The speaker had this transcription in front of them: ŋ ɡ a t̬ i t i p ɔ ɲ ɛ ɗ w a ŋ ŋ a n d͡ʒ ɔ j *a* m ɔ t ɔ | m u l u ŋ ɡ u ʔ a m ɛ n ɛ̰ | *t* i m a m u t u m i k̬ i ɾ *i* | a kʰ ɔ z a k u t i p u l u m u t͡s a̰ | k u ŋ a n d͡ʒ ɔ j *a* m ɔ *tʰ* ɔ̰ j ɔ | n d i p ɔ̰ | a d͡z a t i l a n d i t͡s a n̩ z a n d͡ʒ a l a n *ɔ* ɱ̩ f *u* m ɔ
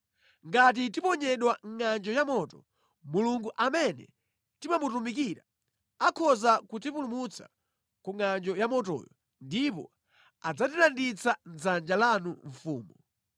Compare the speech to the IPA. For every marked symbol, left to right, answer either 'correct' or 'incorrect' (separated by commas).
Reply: correct, correct, incorrect, correct, incorrect, incorrect, incorrect